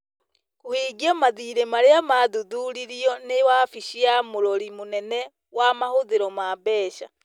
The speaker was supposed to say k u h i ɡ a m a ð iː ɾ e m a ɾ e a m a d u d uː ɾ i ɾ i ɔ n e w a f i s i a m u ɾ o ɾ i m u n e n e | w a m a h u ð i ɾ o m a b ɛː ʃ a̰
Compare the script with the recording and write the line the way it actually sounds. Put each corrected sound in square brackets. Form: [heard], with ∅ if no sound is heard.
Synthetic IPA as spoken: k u h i ɡ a m a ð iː ɾ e m a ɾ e a m a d u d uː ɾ i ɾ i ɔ n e w a f i [ʃ] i a m u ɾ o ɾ i m u n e n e | w a m a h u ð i ɾ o m a b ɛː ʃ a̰